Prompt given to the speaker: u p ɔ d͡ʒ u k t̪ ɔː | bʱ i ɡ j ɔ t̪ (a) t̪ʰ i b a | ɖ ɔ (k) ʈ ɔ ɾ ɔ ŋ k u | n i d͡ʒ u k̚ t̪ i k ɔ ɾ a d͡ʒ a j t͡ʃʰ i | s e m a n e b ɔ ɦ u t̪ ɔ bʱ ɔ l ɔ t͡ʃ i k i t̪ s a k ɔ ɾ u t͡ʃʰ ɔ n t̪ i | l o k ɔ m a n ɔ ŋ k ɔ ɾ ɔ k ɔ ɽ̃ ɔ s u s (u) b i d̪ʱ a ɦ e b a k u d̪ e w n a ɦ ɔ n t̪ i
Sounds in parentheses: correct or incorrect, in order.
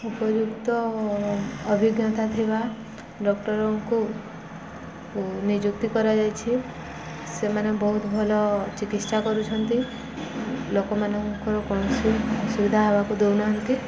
correct, correct, correct

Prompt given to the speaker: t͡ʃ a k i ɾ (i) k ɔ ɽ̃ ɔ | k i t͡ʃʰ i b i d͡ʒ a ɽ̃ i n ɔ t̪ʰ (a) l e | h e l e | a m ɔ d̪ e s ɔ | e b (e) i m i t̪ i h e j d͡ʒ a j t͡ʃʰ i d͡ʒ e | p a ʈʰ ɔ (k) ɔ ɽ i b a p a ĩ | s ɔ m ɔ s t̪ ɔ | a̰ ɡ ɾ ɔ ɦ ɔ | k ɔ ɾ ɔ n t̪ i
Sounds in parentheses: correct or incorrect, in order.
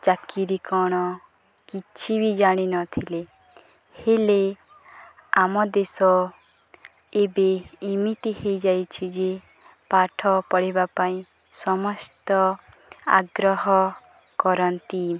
correct, incorrect, correct, incorrect

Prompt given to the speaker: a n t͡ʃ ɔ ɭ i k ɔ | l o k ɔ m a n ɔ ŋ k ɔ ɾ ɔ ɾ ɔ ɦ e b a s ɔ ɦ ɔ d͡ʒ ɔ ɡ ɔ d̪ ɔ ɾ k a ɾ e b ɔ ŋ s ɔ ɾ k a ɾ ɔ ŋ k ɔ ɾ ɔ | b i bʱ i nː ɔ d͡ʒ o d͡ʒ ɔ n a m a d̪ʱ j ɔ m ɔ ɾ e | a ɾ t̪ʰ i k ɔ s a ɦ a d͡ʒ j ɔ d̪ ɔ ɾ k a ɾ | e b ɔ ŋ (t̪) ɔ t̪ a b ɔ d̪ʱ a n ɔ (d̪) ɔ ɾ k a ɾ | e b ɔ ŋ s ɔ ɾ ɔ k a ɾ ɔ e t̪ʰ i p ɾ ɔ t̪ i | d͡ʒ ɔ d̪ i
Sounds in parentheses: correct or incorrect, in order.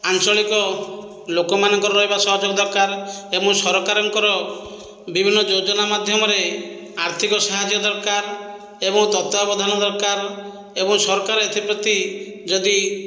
correct, correct

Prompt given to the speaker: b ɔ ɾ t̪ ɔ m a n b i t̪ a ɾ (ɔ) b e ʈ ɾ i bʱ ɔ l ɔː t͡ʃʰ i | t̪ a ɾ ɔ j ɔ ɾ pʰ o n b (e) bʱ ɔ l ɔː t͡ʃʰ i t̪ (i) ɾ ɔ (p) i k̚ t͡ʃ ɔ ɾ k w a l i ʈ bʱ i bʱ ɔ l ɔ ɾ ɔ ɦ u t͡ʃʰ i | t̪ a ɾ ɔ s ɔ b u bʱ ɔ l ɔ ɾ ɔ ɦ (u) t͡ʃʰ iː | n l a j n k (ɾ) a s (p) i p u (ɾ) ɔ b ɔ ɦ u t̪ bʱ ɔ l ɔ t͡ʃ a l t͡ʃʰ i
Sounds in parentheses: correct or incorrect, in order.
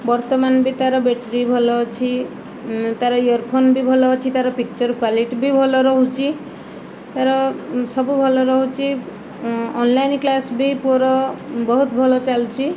correct, incorrect, incorrect, correct, correct, incorrect, incorrect, correct

